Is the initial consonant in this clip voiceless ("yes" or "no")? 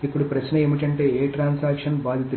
yes